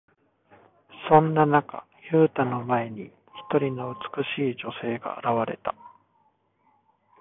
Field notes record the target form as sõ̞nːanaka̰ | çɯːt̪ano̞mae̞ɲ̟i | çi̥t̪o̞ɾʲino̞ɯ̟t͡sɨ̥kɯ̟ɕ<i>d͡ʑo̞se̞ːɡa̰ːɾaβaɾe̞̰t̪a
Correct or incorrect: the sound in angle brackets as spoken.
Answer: incorrect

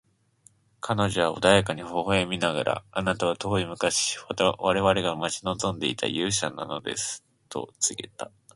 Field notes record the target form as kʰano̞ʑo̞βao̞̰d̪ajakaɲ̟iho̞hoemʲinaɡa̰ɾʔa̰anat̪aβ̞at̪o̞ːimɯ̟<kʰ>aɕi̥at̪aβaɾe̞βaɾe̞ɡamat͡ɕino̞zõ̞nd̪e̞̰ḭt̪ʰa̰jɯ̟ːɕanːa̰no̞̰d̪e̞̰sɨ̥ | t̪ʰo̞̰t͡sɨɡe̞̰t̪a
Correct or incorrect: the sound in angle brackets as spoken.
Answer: incorrect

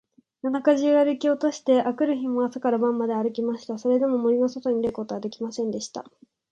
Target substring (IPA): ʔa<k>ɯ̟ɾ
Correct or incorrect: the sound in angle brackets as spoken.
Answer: correct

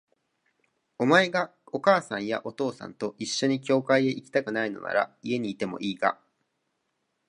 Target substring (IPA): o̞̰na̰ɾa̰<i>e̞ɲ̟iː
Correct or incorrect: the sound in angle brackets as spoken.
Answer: correct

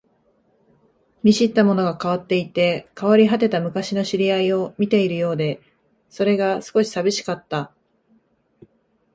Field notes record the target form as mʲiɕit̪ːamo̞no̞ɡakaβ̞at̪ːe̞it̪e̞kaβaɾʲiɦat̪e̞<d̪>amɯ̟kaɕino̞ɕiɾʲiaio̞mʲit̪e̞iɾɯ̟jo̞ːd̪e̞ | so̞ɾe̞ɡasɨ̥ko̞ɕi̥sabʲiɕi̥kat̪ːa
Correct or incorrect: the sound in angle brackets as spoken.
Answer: incorrect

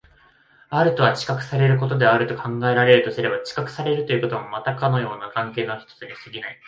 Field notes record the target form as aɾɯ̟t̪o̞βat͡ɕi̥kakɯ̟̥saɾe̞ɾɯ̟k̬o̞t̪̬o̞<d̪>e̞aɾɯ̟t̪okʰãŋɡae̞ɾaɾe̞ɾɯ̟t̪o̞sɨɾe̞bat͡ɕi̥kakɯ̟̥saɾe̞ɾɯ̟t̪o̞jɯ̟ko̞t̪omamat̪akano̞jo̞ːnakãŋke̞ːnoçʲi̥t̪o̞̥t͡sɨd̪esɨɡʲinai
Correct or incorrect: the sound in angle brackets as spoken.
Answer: correct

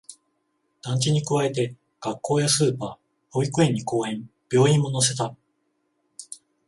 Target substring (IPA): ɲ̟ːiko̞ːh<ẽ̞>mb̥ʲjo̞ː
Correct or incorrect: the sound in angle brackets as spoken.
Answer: correct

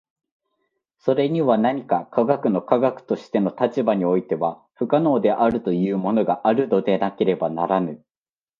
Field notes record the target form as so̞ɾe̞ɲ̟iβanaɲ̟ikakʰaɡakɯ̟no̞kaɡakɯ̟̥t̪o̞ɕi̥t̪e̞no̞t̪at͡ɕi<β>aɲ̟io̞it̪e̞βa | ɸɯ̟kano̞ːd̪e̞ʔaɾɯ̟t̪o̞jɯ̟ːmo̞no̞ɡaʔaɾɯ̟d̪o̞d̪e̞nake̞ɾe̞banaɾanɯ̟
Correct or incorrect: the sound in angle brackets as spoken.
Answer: incorrect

